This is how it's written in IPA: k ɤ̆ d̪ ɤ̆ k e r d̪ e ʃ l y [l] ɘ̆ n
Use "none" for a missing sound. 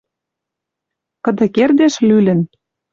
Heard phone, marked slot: l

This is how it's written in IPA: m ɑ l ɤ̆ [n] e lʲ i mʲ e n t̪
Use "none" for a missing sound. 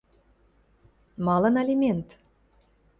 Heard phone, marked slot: n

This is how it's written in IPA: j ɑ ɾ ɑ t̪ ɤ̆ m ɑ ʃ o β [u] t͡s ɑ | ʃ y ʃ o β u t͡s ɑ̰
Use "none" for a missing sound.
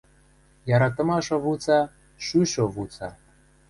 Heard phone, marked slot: u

